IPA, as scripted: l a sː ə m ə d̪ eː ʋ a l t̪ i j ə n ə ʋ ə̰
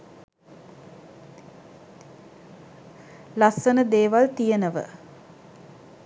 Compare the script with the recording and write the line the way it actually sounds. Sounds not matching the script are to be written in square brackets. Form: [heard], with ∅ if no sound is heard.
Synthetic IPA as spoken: l a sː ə [n] ə d̪ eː ʋ a l t̪ i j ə n ə ʋ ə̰